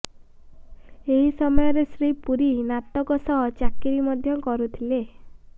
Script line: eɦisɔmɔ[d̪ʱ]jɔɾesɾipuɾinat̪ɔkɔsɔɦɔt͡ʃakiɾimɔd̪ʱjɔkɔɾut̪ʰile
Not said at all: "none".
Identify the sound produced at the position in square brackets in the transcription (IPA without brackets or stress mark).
none